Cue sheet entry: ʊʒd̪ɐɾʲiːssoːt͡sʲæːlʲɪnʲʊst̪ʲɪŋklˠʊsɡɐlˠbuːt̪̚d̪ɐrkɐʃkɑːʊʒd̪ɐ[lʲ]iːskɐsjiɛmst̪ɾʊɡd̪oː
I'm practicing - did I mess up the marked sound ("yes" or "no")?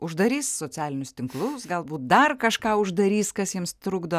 yes